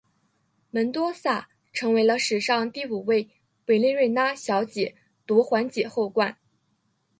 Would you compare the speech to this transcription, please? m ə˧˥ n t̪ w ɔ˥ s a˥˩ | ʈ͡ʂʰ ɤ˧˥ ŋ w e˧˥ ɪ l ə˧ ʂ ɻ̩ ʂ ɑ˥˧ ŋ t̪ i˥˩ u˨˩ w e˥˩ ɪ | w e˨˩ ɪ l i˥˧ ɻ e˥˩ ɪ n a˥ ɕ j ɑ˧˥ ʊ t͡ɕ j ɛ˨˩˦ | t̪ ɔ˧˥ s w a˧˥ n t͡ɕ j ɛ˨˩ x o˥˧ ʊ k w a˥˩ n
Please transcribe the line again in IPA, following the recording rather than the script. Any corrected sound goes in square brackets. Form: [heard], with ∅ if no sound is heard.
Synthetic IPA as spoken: m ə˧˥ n t̪ w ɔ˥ s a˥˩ | ʈ͡ʂʰ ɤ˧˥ ŋ w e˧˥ ɪ l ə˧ ʂ ɻ̩ ʂ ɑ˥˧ ŋ t̪ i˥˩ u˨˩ w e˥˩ ɪ | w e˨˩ ɪ l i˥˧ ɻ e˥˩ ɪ n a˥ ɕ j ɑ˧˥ ʊ t͡ɕ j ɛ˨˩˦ | t̪ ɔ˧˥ [x] w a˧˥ n t͡ɕ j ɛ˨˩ x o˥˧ ʊ k w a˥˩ n

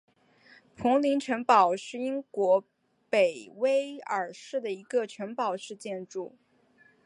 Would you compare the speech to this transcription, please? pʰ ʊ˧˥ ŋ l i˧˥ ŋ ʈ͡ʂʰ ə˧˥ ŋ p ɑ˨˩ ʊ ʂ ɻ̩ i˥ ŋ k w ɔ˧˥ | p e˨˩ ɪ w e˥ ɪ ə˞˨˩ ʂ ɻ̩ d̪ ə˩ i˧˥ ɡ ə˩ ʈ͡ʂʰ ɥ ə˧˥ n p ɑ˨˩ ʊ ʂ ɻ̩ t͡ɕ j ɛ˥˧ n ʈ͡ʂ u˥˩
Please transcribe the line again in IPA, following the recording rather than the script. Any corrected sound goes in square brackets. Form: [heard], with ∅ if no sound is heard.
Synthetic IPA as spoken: pʰ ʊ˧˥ ŋ l i˧˥ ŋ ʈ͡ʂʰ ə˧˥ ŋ p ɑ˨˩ ʊ ʂ ɻ̩ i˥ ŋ k w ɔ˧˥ | p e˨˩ ɪ w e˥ ɪ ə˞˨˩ ʂ ɻ̩ d̪ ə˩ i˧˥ ɡ [ə˧] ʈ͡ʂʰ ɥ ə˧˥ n p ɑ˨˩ ʊ ʂ ɻ̩ t͡ɕ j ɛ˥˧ n ʈ͡ʂ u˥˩

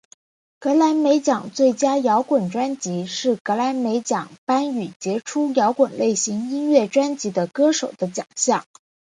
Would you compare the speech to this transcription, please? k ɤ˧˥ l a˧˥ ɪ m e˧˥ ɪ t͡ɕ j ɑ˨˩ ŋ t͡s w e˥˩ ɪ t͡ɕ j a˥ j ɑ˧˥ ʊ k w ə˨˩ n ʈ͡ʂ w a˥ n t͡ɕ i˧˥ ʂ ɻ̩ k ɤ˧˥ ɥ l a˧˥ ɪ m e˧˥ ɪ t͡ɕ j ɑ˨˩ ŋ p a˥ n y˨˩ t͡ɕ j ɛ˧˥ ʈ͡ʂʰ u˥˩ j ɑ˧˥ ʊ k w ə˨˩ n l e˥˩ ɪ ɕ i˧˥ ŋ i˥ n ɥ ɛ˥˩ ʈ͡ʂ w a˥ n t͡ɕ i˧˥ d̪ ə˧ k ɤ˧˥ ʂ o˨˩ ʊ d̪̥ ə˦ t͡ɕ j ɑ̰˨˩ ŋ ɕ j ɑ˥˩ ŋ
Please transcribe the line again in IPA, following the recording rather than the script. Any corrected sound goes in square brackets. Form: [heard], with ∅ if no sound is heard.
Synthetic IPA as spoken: k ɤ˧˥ l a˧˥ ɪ m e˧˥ ɪ t͡ɕ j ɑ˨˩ ŋ t͡s w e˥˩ ɪ t͡ɕ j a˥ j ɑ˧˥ ʊ k w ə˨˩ n ʈ͡ʂ w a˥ n t͡ɕ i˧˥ ʂ ɻ̩ k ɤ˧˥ [∅] l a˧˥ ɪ m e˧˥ ɪ t͡ɕ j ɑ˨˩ ŋ p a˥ n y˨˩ t͡ɕ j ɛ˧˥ ʈ͡ʂʰ [u˥] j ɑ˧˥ ʊ k w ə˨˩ n l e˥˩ ɪ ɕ i˧˥ ŋ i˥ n ɥ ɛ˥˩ ʈ͡ʂ w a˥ n t͡ɕ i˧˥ d̪ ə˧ k [ɤ˥] ʂ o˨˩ ʊ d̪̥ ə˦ t͡ɕ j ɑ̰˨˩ ŋ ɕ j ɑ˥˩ ŋ

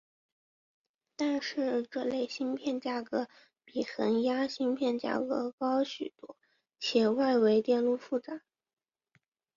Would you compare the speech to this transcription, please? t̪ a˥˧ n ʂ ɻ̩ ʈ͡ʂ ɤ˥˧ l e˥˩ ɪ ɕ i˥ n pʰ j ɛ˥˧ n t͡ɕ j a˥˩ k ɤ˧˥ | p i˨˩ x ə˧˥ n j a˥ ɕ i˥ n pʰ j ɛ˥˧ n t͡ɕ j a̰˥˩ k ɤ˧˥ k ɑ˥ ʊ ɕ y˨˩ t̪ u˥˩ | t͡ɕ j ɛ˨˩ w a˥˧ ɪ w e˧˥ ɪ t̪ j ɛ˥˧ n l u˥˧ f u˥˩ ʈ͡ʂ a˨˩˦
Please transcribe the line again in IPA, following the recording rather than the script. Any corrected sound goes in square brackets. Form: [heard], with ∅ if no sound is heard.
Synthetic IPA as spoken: t̪ a˥˧ n ʂ ɻ̩ ʈ͡ʂ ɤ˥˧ l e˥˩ ɪ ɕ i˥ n pʰ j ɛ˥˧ n t͡ɕ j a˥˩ k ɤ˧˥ | p i˨˩ x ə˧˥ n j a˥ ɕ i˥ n pʰ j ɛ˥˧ n t͡ɕ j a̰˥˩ k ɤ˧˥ k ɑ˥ ʊ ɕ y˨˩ t̪ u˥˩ | [t͡ɕʰ] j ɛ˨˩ w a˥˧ ɪ w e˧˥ ɪ t̪ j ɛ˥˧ n l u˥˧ f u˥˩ ʈ͡ʂ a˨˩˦

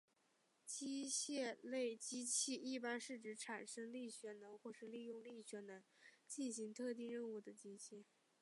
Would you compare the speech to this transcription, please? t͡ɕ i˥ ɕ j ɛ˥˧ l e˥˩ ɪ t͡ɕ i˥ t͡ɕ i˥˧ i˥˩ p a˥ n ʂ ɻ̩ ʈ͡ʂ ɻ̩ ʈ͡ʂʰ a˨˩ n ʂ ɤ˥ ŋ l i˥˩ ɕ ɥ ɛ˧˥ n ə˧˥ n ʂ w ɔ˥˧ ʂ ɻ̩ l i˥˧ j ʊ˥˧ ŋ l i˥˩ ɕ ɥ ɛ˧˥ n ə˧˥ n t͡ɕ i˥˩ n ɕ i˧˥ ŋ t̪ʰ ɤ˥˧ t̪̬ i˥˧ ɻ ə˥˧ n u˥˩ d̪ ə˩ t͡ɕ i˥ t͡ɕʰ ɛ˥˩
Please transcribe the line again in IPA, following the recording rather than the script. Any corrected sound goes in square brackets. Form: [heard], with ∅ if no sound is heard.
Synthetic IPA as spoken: t͡ɕ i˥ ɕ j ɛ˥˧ l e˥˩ ɪ t͡ɕ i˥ [t͡ɕʰ] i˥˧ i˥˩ p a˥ n ʂ ɻ̩ ʈ͡ʂ ɻ̩ ʈ͡ʂʰ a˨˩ n ʂ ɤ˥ ŋ l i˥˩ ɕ ɥ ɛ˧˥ n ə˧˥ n [x] w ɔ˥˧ ʂ ɻ̩ l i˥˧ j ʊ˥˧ ŋ l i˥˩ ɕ ɥ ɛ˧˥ n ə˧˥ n t͡ɕ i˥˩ n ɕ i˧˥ ŋ t̪ʰ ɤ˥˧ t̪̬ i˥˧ ɻ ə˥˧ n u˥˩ d̪ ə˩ t͡ɕ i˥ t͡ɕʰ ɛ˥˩

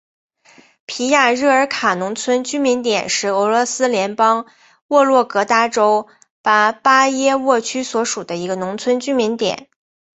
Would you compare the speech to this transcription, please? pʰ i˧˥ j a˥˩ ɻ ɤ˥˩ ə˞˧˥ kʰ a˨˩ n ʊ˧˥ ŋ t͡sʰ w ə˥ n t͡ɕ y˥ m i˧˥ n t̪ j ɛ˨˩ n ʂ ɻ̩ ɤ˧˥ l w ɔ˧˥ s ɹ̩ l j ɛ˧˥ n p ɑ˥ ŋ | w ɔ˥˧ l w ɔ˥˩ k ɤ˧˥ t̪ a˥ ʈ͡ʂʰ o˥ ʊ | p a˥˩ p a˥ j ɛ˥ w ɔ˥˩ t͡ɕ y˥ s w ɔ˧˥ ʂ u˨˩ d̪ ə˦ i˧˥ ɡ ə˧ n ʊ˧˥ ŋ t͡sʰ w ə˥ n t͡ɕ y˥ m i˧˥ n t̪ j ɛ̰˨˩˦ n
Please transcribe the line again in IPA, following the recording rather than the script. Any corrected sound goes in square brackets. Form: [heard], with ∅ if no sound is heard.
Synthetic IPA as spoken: pʰ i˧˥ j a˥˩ ɻ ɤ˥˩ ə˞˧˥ kʰ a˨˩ n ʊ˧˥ ŋ t͡sʰ w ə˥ n t͡ɕ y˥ m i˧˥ n t̪ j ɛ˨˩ n ʂ ɻ̩ ɤ˧˥ l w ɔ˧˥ s ɹ̩ l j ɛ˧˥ n p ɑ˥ ŋ | w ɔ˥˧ l w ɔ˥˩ k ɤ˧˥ t̪ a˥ [ʈ͡ʂ] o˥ ʊ | p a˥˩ p a˥ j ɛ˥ w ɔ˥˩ [t͡ɕʰ] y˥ s w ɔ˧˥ ʂ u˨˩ d̪ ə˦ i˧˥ ɡ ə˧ n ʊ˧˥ ŋ t͡sʰ w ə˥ n t͡ɕ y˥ m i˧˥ n t̪ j ɛ̰˨˩˦ n

